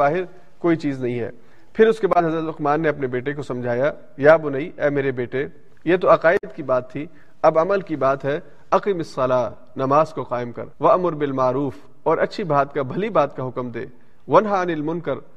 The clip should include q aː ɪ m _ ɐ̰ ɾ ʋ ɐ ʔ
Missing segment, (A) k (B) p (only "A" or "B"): A